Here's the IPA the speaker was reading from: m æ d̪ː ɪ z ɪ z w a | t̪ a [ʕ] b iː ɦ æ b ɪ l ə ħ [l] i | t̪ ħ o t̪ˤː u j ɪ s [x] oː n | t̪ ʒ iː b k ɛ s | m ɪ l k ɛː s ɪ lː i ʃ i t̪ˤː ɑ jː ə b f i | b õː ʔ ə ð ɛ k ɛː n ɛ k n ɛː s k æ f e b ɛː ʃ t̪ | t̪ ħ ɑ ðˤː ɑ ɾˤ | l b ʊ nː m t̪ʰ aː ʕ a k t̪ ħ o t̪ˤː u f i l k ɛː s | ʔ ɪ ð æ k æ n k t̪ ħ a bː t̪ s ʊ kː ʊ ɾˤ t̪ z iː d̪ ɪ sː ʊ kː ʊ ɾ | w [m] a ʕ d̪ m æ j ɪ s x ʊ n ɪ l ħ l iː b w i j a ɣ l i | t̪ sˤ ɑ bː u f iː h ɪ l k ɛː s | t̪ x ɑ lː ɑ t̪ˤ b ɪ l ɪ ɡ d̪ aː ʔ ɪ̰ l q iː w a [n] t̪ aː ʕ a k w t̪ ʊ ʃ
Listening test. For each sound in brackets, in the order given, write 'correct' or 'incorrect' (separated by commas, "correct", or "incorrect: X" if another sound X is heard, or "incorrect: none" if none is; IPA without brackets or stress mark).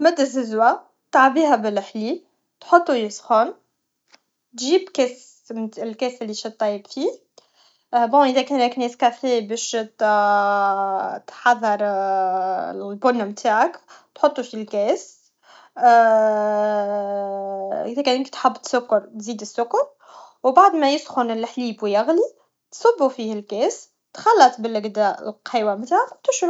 correct, correct, correct, incorrect: b, incorrect: m